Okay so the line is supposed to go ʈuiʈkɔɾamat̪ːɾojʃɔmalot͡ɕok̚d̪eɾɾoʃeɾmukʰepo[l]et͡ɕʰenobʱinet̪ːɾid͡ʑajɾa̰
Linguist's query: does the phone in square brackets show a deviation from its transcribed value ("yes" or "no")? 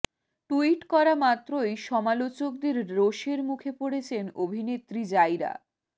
yes